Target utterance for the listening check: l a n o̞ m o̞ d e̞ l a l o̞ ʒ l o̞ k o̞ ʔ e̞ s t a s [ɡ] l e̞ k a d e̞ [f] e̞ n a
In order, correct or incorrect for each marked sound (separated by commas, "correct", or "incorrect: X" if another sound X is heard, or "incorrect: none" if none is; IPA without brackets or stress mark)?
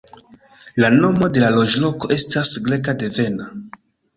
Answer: correct, incorrect: v